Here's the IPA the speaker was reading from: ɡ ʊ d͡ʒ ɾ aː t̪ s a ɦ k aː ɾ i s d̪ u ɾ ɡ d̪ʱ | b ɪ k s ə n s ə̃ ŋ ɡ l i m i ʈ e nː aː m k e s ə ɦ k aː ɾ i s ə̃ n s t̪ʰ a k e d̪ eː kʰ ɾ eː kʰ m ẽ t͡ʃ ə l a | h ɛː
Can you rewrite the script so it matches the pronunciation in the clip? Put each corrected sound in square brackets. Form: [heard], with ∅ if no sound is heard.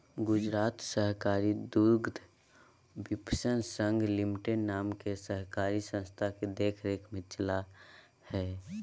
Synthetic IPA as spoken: ɡ ʊ d͡ʒ ɾ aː t̪ s [ə] ɦ k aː ɾ i [∅] d̪ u ɾ ɡ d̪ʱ | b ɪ [p] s ə n s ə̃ ŋ ɡ l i m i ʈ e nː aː m k e s ə ɦ k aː ɾ i s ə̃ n s t̪ʰ a k e d̪ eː kʰ ɾ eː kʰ m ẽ t͡ʃ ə l a | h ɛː

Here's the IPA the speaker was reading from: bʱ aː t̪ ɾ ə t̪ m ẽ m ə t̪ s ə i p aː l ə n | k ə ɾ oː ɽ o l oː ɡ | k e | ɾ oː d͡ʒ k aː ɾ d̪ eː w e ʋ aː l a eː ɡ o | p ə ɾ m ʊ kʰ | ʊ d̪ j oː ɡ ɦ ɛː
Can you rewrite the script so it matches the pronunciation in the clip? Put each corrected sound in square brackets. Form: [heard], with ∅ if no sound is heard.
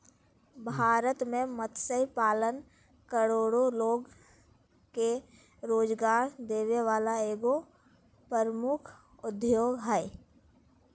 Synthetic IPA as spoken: bʱ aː [∅] ɾ ə t̪ m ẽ m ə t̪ s ə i p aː l ə n | k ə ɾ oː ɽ o l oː ɡ | k e | ɾ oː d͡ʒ [ɡ] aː ɾ d̪ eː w e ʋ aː l a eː ɡ o | p ə ɾ m ʊ kʰ | ʊ d̪ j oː ɡ ɦ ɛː

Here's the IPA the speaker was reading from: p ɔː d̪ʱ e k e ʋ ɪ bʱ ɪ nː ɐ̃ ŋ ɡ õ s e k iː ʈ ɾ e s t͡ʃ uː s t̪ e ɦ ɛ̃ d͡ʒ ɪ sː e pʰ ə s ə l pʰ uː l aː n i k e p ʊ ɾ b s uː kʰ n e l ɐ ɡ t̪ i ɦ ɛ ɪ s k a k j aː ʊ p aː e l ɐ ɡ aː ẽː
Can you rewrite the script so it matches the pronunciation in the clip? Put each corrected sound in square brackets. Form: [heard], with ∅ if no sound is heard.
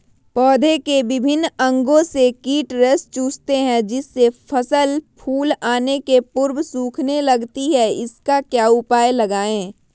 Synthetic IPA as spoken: p ɔː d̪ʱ e k e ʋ ɪ bʱ ɪ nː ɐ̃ ŋ ɡ õ s e k iː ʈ ɾ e s t͡ʃ uː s t̪ e ɦ ɛ̃ d͡ʒ ɪ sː e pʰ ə s ə l pʰ uː l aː n [e] k e p ʊ ɾ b s uː kʰ n e l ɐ ɡ t̪ i ɦ ɛ ɪ s k a k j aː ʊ p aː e l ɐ ɡ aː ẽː

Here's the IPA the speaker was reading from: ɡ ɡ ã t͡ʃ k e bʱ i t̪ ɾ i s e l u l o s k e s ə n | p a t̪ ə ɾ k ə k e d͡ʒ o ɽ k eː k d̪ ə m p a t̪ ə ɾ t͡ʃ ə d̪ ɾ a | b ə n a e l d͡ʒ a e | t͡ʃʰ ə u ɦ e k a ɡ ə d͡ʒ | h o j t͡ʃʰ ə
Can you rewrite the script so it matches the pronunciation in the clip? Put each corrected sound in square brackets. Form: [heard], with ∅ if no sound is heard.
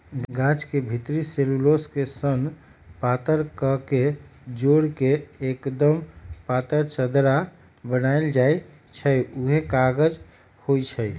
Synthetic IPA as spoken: ɡ ɡ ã t͡ʃ k e bʱ i t̪ ɾ i s e l u l o s k e s ə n | p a t̪ ə ɾ k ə k e d͡ʒ o ɽ k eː k d̪ ə m p a t̪ ə ɾ t͡ʃ ə d̪ ɾ a | b ə n a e l d͡ʒ a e | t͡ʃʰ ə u ɦ e k a ɡ ə d͡ʒ | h o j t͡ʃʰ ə

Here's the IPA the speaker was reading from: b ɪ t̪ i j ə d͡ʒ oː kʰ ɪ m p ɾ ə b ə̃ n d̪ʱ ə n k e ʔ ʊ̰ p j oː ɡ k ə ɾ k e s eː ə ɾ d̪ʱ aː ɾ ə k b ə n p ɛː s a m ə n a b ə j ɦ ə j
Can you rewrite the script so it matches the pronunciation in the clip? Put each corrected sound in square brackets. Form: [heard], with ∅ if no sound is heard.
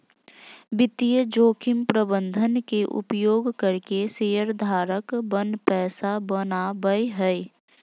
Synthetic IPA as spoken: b ɪ t̪ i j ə d͡ʒ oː kʰ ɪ m p ɾ ə b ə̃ n d̪ʱ ə n k e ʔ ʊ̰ p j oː ɡ k ə ɾ k e s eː ə ɾ d̪ʱ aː ɾ ə k b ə n p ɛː s a [b] ə n a b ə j ɦ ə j

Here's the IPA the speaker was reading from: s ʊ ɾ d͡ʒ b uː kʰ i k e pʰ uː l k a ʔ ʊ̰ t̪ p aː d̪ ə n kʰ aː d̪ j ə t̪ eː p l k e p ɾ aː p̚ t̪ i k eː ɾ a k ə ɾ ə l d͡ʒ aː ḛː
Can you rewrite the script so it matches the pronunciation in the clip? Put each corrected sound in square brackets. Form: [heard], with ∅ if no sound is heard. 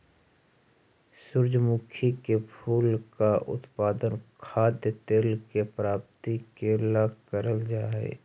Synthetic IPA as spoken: s ʊ ɾ d͡ʒ [m] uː kʰ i k e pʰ uː l k a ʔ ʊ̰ t̪ p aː d̪ ə n kʰ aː d̪ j ə t̪ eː [∅] l k e p ɾ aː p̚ t̪ i k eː [l] a k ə ɾ ə l d͡ʒ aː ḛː

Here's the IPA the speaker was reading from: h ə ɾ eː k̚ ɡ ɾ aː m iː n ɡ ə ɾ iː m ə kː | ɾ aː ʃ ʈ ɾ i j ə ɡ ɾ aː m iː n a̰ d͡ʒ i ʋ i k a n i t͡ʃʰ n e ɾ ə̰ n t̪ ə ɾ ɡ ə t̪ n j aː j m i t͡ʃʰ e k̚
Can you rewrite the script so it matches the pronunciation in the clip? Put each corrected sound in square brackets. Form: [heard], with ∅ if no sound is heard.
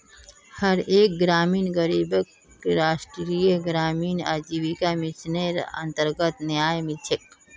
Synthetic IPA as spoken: h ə ɾ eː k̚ ɡ ɾ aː m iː n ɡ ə ɾ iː [b] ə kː | ɾ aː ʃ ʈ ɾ i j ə ɡ ɾ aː m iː n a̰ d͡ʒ i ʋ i k a [m] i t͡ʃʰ n e ɾ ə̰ n t̪ ə ɾ ɡ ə t̪ n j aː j m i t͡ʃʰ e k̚

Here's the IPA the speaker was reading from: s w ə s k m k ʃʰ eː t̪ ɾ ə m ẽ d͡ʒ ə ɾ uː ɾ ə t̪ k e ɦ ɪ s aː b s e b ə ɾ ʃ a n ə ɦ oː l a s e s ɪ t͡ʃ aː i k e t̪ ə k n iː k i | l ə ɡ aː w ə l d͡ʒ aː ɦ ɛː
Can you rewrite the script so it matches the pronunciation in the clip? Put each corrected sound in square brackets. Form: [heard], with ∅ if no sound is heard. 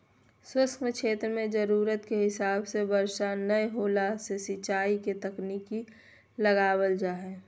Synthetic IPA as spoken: s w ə s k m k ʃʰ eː t̪ ɾ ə m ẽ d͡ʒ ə ɾ uː ɾ ə t̪ k e ɦ ɪ s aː b s e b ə ɾ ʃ a n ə ɦ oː l a s e s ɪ t͡ʃ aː i k e t̪ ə k n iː k i | l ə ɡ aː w ə l d͡ʒ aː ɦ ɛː

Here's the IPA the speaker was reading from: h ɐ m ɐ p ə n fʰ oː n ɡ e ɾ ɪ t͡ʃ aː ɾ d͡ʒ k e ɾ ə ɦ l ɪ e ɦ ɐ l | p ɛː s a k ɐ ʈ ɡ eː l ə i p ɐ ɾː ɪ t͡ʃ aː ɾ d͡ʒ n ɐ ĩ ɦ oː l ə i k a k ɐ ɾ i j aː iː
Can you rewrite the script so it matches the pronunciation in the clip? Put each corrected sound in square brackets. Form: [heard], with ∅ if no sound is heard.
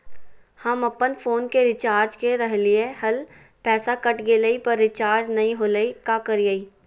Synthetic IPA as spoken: h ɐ m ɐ p ə n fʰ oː n [k] e ɾ ɪ t͡ʃ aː ɾ d͡ʒ k e ɾ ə ɦ l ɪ e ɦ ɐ l | p ɛː s a k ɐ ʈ ɡ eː l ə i p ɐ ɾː ɪ t͡ʃ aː ɾ d͡ʒ n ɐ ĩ ɦ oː l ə i k a k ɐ ɾ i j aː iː

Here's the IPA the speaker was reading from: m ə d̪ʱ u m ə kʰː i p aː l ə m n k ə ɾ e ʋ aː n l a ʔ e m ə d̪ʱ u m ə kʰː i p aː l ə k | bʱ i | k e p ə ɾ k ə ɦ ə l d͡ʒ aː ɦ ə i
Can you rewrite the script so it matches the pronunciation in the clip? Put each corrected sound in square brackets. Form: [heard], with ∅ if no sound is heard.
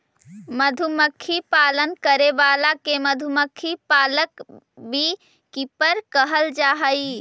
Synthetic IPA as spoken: m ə d̪ʱ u m ə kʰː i p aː l ə [∅] n k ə ɾ e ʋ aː [∅] l a [k] e m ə d̪ʱ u m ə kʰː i p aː l ə k | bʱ i | k [i] p ə ɾ k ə ɦ ə l d͡ʒ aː ɦ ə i

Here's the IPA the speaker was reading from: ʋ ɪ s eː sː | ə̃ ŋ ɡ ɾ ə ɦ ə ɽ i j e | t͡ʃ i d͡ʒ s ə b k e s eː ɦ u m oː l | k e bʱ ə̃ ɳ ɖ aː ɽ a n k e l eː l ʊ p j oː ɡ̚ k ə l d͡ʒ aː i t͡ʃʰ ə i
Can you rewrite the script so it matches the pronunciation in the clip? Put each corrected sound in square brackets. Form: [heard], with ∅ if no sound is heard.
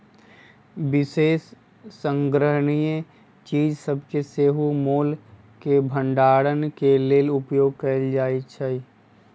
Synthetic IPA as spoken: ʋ ɪ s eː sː | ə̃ ŋ ɡ ɾ ə ɦ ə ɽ i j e | t͡ʃ [iː] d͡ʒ s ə b k e s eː ɦ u m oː l | k e bʱ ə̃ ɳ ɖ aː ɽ [ə] n k e l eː l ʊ p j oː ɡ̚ k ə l d͡ʒ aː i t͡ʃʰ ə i

